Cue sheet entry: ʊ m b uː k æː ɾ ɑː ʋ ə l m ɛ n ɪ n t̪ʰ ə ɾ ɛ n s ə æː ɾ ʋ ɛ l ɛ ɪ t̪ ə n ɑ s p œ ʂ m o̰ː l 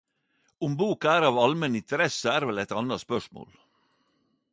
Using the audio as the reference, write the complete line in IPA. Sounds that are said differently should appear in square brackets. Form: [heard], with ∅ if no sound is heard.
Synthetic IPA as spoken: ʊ m b uː k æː ɾ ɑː ʋ [ɑ] l m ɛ n ɪ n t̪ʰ ə ɾ ɛ [∅] s ə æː ɾ ʋ ɛ l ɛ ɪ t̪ [ɑ] n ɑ s p œ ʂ m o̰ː l